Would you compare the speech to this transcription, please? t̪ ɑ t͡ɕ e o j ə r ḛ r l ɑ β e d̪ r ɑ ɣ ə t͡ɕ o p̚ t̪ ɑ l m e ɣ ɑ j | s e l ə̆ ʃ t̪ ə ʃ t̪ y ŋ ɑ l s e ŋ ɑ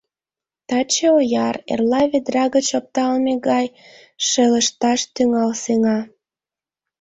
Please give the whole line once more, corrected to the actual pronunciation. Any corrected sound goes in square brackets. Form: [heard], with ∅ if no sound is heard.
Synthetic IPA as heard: t̪ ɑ t͡ɕ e o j [ɑ] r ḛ r l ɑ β e d̪ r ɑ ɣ ə t͡ɕ o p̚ t̪ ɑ l m e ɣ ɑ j | [ʃ] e l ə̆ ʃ t̪ [ɑ] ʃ t̪ y ŋ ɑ l s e ŋ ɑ